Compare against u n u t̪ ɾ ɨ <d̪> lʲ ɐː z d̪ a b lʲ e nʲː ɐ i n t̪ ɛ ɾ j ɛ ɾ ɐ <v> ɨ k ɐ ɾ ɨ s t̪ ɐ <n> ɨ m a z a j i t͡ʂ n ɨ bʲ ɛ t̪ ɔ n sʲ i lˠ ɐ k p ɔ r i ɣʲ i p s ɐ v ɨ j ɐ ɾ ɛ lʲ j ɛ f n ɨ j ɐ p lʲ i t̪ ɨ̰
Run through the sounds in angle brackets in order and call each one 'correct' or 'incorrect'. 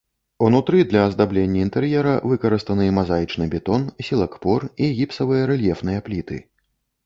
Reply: correct, correct, correct

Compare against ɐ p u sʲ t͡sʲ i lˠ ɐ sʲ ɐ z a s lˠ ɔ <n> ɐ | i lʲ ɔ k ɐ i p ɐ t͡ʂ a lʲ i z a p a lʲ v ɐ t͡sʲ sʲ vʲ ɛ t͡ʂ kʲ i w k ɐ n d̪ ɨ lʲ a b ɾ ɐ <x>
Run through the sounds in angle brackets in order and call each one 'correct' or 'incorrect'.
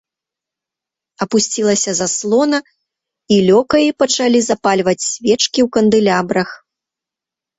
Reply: correct, correct

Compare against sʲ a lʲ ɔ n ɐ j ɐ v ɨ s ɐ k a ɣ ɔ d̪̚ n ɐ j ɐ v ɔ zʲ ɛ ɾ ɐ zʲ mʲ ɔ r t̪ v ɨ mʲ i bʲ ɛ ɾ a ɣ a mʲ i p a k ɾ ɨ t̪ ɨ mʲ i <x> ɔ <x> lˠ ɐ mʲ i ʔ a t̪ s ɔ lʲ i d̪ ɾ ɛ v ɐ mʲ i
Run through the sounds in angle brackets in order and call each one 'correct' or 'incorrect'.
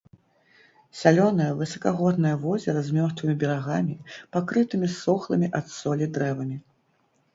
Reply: incorrect, correct

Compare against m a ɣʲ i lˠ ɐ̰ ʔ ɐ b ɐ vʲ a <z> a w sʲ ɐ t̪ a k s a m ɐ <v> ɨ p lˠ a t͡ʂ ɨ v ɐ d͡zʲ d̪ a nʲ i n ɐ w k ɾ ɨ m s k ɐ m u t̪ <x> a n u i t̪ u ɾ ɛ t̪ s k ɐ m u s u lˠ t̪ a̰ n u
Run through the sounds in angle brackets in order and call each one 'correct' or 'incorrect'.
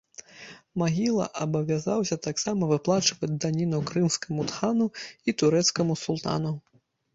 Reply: correct, correct, correct

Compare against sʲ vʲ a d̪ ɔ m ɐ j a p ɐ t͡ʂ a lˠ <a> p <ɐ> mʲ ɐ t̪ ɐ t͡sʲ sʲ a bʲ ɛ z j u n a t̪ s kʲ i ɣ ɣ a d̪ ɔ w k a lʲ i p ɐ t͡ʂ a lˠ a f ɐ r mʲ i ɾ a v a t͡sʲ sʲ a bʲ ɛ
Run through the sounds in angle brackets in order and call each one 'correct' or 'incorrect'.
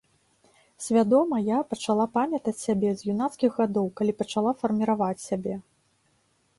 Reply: correct, incorrect

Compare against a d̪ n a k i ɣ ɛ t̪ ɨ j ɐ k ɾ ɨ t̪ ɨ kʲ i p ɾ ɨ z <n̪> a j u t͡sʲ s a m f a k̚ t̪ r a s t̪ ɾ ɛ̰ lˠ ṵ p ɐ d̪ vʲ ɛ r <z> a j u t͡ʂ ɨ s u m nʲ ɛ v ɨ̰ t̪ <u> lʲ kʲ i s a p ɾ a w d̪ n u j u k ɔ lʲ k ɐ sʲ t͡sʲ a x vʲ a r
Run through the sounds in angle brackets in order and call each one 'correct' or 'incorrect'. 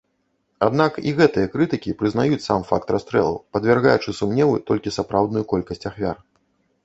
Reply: correct, incorrect, incorrect

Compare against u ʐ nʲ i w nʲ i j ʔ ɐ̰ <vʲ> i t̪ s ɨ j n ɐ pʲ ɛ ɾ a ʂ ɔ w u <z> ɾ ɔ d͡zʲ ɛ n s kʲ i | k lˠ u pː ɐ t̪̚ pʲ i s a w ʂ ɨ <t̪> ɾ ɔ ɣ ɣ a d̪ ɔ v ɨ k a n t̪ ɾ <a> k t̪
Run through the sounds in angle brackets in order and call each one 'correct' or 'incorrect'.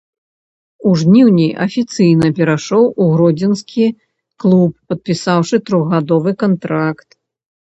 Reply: incorrect, incorrect, correct, correct

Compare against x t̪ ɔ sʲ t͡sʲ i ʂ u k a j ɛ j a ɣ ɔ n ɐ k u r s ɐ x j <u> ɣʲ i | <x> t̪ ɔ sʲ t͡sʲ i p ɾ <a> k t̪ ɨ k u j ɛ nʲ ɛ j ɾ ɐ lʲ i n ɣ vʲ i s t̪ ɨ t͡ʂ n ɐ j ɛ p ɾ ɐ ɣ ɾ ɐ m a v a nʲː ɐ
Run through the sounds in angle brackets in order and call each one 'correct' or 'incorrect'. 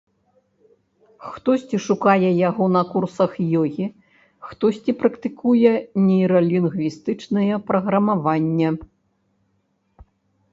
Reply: incorrect, correct, incorrect

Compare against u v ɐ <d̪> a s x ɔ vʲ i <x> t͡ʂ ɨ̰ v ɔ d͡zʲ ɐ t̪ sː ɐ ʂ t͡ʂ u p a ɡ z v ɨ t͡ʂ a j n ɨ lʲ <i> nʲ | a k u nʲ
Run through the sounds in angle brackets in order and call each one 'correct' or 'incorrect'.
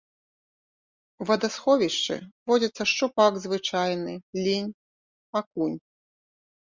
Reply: correct, incorrect, correct

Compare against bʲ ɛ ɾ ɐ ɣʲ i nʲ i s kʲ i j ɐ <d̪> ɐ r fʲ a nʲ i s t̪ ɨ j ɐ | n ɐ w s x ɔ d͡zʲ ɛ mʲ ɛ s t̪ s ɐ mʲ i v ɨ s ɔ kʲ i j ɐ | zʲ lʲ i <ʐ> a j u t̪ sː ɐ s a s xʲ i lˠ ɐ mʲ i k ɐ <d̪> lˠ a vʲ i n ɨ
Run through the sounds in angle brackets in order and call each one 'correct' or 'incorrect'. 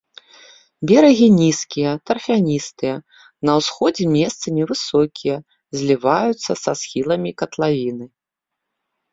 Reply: incorrect, incorrect, incorrect

